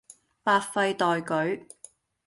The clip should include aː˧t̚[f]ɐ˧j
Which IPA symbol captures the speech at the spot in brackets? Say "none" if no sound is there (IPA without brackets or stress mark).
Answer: f